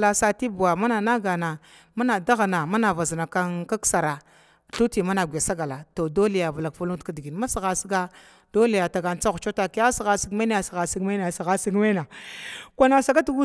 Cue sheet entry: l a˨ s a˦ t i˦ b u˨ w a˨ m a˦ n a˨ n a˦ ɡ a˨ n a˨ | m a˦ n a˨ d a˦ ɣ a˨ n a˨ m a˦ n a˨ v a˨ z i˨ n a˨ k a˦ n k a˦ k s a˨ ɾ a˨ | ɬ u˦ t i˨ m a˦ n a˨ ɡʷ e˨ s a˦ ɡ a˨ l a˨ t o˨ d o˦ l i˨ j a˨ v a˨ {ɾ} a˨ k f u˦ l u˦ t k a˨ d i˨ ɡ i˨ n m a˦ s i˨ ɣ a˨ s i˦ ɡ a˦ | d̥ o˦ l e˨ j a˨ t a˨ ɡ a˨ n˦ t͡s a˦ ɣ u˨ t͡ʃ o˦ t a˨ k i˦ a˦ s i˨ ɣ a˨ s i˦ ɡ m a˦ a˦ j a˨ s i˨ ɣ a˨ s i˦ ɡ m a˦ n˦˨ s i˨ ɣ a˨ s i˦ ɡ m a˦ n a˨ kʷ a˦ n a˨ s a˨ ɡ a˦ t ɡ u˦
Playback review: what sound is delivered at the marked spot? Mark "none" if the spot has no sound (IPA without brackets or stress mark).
l